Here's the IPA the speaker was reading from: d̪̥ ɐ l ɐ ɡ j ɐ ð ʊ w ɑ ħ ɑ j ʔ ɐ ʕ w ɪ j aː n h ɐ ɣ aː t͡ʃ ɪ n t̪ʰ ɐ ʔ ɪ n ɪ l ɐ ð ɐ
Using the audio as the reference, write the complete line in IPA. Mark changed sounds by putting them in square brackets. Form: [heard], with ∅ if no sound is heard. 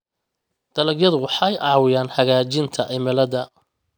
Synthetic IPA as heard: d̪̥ ɐ l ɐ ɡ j ɐ ð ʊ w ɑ ħ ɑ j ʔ [ɑ] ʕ w ɪ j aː n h ɐ ɣ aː t͡ʃ ɪ n t̪ʰ ɐ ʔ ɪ [m] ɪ l ɐ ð ɐ